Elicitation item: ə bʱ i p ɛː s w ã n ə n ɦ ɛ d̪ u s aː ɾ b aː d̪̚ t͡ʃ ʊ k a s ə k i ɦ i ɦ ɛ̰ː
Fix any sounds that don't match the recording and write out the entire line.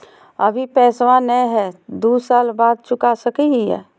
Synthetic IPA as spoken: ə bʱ i p ɛː s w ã n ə ɦ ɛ d̪ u s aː l b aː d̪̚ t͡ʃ ʊ k a s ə k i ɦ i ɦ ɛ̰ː